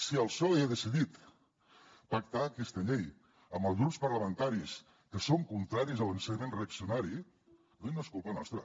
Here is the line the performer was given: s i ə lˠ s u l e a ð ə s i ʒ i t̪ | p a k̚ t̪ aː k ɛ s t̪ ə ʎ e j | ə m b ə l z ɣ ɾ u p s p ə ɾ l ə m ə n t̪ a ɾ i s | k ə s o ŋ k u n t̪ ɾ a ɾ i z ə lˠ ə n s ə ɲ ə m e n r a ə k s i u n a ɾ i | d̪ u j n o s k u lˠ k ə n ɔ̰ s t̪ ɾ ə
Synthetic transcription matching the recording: s i ə lˠ s ɔ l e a ð ə s i ð i t̪ | p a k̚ t̪ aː k ɛ s t̪ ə ʎ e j | ə m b ə l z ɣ ɾ u p s p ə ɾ l ə m ə n t̪ a ɾ i s | k ə s o ŋ k u n t̪ ɾ a ɾ i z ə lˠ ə n s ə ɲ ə m e n r e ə k s i u n a ɾ i | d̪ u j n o s k u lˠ p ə n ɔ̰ s t̪ ɾ ə